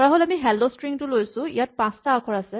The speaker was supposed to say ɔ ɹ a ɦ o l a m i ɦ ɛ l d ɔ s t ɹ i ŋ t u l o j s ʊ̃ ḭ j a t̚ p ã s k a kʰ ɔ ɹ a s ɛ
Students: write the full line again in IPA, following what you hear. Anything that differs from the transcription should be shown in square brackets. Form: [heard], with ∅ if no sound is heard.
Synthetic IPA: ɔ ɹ a ɦ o l a m i ɦ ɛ l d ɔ s t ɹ i ŋ t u l o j s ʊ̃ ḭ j a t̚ p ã s [t] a kʰ ɔ ɹ a s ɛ